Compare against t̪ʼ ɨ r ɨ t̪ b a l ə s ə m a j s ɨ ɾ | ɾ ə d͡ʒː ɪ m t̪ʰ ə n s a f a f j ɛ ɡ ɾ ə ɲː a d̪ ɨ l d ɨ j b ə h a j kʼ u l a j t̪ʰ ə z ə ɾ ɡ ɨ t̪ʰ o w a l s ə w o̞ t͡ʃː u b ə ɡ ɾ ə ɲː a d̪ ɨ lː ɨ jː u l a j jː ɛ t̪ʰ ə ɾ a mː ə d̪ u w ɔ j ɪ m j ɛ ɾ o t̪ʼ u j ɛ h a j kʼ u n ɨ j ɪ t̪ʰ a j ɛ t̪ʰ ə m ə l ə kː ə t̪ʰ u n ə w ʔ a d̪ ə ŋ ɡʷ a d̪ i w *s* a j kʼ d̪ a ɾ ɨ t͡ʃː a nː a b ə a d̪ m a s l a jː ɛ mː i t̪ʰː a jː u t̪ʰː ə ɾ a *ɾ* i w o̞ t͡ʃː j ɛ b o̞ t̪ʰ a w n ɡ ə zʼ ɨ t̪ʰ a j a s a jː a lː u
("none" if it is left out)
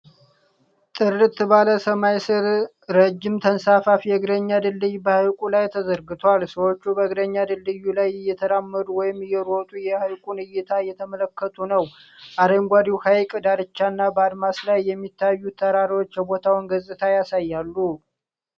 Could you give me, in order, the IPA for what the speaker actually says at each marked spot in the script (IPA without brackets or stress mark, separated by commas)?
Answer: h, ɾ